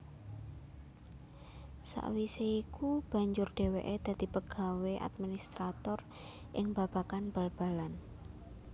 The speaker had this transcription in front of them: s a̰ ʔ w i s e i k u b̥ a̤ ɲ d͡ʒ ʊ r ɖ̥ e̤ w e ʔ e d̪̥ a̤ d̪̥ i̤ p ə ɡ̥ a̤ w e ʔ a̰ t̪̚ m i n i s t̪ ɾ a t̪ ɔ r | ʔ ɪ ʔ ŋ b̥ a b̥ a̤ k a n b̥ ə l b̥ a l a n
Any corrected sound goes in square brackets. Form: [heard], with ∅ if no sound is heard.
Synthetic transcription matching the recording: s a̰ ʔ w i s e i k u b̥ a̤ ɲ d͡ʒ ʊ r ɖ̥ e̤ w e ʔ e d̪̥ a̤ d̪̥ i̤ p ə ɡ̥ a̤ w e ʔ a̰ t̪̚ m i n i s t̪ ɾ a t̪ ɔ r | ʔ ɪ [∅] ŋ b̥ a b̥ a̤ k a n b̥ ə l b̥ a l a n